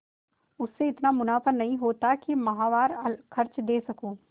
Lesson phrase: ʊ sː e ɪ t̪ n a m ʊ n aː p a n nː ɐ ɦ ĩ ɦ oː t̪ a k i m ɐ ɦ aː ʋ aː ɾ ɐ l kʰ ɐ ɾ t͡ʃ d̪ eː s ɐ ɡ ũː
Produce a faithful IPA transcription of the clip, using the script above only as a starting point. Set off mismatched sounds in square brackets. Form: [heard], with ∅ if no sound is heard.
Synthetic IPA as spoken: ʊ sː e ɪ t̪ n a m ʊ n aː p [ə] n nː ɐ ɦ ĩ ɦ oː t̪ a k i m ɐ ɦ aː ʋ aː ɾ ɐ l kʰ ɐ ɾ t͡ʃ d̪ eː s ɐ [k] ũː